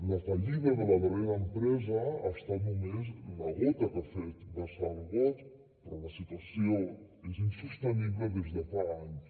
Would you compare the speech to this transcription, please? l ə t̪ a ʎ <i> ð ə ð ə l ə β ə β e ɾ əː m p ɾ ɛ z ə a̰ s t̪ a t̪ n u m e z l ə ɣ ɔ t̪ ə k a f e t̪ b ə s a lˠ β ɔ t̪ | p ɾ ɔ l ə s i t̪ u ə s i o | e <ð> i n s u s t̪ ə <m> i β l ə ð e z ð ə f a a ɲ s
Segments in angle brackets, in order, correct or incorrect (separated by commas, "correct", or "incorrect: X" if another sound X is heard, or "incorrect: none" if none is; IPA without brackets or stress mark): correct, incorrect: z, incorrect: n